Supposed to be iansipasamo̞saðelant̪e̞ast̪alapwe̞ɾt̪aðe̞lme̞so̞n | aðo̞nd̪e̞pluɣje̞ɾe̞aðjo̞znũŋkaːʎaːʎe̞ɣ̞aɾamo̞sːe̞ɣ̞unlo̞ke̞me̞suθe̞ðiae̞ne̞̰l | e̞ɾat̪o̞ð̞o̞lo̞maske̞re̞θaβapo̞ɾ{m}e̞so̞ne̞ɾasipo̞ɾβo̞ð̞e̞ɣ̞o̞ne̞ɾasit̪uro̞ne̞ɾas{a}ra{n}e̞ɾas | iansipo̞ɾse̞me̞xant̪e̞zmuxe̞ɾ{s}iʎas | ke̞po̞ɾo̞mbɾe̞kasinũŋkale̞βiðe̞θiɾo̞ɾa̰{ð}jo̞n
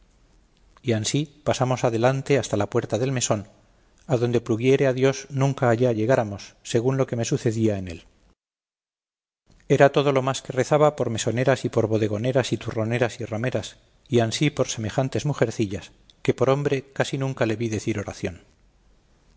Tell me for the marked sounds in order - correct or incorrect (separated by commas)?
correct, incorrect, incorrect, incorrect, incorrect